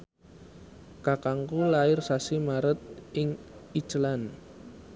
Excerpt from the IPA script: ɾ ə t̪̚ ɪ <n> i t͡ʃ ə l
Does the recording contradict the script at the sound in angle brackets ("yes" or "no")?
yes